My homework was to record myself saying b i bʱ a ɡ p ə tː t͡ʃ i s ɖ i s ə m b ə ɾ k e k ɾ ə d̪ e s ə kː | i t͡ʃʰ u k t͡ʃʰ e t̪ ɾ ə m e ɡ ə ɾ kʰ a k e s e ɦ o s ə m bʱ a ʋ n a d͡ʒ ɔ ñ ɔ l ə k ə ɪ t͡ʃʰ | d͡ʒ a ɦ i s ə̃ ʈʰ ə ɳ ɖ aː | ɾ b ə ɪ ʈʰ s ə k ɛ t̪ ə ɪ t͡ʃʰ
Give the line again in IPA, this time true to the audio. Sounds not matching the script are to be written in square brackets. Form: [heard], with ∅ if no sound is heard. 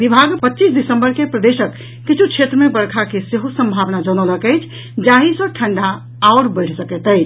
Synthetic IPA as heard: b i bʱ a ɡ p ə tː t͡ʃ i s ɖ i s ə m b ə ɾ k e [p] ɾ ə d̪ e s ə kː | i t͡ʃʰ u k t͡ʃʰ e t̪ ɾ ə m e [b] ə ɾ kʰ a k e s e ɦ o s ə m bʱ a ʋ n a d͡ʒ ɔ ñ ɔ l ə k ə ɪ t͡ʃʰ | d͡ʒ a ɦ i s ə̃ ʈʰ ə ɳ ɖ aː | ɾ b ə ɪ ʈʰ s ə k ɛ t̪ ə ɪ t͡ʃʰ